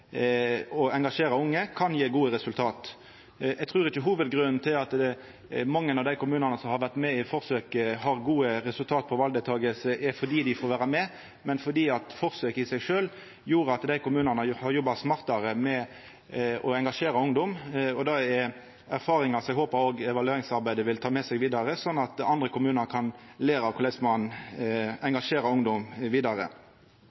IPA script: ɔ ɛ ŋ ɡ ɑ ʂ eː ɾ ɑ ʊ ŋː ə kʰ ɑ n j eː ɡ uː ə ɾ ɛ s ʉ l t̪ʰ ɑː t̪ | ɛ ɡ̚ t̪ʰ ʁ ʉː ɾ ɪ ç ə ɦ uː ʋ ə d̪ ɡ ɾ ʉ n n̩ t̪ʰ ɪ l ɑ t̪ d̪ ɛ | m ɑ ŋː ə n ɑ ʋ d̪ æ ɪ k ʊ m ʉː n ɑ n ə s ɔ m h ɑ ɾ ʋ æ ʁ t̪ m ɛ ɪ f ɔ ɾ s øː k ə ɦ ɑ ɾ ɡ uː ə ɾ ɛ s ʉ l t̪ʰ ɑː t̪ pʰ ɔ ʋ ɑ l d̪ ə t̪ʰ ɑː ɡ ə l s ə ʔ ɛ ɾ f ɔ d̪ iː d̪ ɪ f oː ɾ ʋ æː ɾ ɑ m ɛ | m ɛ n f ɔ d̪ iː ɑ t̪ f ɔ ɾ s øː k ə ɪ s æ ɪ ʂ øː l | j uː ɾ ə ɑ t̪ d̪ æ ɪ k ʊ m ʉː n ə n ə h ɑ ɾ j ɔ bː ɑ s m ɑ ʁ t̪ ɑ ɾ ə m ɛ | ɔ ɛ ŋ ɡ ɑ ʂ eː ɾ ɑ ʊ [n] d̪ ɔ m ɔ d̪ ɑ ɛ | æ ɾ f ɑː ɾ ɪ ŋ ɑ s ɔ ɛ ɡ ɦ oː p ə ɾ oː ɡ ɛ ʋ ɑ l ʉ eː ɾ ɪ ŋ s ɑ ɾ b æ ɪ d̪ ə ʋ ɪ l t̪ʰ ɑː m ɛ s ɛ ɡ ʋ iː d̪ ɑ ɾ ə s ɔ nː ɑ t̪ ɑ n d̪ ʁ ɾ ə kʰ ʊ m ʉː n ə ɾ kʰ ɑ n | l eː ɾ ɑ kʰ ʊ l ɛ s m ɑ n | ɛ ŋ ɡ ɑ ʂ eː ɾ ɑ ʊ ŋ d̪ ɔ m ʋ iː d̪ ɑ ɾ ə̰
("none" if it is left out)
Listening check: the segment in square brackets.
ŋ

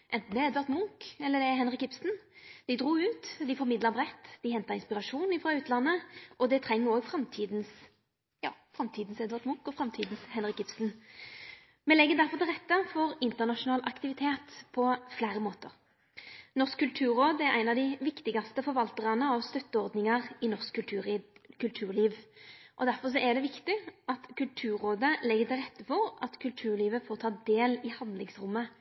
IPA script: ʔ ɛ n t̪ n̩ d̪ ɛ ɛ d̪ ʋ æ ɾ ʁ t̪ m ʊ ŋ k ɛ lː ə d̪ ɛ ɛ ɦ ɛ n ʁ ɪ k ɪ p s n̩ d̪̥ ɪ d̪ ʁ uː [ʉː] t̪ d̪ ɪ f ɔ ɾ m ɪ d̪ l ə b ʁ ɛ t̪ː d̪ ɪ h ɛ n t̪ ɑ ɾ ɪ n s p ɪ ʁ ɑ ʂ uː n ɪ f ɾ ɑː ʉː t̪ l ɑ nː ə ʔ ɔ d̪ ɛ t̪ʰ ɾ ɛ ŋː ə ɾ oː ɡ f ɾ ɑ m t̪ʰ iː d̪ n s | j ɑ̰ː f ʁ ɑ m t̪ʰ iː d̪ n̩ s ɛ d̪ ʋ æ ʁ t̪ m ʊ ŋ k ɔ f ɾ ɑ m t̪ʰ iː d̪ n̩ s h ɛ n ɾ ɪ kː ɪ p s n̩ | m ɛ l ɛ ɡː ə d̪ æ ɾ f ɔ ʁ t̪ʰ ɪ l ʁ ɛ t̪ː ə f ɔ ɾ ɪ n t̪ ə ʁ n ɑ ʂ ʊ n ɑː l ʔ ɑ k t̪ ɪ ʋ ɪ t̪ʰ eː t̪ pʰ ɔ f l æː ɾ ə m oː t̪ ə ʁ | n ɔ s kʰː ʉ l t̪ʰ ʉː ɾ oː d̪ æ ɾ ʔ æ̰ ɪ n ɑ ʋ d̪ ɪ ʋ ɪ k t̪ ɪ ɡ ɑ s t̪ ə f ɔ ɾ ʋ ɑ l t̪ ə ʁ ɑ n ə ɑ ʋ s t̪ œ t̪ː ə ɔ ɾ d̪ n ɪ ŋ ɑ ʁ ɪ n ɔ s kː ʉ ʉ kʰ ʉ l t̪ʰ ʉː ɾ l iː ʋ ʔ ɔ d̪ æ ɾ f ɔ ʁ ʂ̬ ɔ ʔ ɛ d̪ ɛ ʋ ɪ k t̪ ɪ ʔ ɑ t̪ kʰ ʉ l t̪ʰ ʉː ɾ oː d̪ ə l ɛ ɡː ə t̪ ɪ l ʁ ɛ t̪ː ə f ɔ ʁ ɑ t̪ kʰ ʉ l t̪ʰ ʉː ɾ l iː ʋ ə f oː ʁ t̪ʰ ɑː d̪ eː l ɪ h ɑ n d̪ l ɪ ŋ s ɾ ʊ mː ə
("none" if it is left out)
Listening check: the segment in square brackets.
ʉː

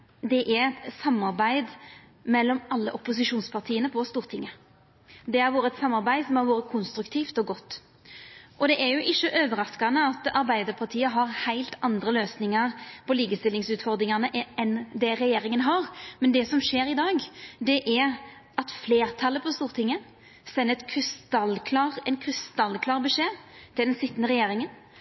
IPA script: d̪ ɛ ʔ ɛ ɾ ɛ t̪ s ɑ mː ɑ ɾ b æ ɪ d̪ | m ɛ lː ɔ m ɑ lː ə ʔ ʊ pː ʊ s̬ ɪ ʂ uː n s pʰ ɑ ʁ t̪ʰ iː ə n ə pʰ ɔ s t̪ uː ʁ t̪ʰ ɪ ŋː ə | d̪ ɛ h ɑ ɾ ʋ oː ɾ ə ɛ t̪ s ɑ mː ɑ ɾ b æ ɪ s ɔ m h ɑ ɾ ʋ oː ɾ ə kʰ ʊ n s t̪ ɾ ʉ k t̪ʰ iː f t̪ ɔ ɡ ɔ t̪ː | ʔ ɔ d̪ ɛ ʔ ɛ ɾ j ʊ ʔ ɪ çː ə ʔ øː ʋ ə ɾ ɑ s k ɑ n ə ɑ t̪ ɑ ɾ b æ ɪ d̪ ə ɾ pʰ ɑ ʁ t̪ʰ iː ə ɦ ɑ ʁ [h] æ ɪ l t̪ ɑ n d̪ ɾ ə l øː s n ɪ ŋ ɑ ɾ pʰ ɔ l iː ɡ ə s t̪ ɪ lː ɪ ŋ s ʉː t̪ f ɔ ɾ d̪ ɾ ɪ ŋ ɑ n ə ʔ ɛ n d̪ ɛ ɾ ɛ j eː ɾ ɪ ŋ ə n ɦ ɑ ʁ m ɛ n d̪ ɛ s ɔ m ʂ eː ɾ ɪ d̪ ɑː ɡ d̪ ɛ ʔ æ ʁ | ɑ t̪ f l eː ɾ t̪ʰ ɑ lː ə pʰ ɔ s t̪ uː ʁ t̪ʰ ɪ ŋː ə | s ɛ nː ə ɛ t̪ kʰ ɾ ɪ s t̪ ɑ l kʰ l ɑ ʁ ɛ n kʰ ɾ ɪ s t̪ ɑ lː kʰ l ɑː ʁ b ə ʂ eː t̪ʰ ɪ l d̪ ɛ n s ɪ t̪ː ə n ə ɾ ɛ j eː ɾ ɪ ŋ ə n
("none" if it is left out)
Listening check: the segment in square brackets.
h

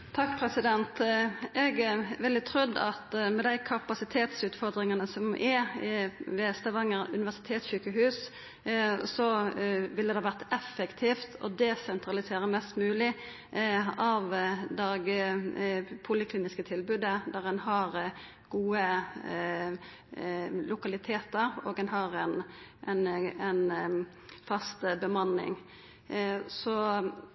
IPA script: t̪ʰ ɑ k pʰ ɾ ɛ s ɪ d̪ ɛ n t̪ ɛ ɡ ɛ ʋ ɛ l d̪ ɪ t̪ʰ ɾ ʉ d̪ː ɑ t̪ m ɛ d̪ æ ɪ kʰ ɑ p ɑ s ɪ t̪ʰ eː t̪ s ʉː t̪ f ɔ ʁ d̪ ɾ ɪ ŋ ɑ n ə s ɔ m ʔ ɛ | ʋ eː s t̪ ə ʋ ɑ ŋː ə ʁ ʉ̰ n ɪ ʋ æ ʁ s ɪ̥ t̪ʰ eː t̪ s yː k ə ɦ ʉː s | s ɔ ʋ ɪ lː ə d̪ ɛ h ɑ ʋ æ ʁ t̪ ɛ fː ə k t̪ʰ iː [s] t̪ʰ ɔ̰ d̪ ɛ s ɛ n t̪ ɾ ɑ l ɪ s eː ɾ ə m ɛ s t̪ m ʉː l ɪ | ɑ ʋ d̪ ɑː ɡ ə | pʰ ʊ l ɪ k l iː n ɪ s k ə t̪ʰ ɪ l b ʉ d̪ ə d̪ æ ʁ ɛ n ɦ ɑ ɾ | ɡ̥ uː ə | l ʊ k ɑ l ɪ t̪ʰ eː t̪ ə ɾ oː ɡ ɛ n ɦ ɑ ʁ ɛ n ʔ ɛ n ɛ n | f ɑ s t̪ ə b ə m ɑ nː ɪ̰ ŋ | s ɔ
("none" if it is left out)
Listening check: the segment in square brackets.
f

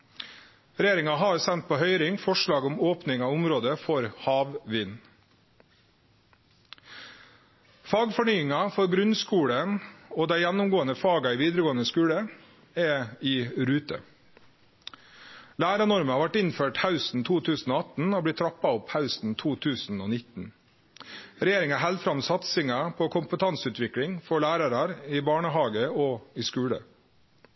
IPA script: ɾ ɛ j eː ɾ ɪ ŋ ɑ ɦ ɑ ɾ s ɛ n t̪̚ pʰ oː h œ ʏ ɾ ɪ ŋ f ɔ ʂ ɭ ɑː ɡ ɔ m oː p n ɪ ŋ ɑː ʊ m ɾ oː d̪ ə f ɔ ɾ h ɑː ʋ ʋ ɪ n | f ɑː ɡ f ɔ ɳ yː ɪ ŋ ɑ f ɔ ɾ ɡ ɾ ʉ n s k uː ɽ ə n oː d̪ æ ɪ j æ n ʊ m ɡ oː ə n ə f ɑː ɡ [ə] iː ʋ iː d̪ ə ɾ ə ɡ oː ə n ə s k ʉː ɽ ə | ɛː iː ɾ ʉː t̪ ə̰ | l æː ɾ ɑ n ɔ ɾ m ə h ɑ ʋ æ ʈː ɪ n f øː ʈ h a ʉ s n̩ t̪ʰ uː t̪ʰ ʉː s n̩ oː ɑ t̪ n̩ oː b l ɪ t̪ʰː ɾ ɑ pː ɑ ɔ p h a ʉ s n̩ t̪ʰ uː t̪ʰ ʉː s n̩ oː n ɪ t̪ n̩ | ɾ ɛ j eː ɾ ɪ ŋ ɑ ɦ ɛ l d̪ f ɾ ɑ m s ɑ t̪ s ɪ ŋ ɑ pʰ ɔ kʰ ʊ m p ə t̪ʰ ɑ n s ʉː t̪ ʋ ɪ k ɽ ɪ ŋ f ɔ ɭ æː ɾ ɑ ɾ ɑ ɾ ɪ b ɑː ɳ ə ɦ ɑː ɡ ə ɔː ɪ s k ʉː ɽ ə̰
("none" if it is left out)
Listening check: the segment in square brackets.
ɑ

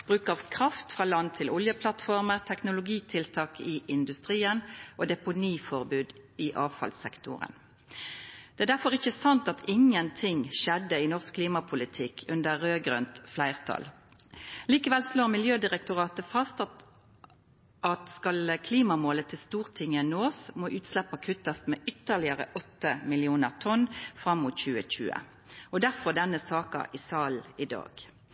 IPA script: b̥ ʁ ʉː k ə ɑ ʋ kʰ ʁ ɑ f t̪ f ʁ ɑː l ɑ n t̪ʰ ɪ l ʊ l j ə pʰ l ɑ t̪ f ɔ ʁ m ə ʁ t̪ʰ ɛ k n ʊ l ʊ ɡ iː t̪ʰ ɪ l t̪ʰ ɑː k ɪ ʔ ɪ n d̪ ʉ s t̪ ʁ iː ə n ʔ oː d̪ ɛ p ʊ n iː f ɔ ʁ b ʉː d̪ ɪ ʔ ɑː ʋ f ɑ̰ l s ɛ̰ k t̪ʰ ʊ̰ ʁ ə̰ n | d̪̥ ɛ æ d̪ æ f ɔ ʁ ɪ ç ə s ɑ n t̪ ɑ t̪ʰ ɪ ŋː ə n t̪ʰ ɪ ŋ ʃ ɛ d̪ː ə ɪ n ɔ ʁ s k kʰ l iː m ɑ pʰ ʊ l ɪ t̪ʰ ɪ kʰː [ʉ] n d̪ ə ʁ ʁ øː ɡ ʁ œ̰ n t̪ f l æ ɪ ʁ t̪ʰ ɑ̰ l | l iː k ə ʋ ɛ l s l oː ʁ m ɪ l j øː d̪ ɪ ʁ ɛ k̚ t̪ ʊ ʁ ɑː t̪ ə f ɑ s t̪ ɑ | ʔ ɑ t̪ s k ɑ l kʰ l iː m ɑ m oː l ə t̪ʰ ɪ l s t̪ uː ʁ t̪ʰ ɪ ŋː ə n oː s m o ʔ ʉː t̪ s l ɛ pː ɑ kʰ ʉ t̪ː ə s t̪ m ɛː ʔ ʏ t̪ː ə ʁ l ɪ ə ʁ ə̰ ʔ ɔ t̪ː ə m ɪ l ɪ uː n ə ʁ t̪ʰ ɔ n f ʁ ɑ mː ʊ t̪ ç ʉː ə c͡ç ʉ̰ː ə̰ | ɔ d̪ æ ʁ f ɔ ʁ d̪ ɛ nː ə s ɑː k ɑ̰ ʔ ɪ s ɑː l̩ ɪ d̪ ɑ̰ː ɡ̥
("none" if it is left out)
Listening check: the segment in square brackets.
ʉ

